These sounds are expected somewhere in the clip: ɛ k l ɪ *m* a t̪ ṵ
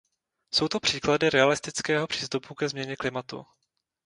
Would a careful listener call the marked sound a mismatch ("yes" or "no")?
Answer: no